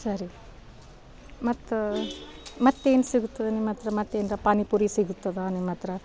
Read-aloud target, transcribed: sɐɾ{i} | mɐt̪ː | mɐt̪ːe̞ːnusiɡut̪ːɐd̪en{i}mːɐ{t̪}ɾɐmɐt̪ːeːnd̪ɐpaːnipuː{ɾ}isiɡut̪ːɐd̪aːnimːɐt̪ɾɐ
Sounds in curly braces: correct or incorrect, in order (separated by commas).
correct, correct, correct, correct